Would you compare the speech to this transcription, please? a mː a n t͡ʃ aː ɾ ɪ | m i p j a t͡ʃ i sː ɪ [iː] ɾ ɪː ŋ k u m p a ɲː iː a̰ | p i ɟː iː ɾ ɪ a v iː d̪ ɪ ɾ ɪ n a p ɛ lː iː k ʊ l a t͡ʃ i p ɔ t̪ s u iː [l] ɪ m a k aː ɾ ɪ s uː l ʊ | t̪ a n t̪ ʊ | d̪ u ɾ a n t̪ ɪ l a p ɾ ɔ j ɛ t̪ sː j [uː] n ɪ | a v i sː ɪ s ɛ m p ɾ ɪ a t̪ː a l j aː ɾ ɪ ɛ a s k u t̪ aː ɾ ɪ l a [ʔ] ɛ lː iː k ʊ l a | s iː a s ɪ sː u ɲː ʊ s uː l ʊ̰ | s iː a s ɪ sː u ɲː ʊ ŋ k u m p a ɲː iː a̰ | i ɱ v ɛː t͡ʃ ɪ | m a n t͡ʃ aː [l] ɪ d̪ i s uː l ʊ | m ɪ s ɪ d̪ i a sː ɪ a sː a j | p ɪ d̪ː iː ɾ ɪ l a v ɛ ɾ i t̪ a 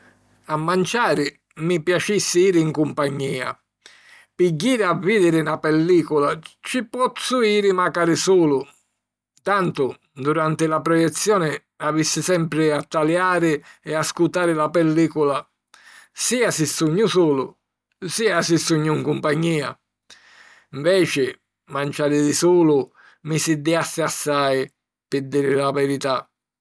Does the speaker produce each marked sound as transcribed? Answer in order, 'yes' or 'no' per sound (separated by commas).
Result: yes, no, no, no, no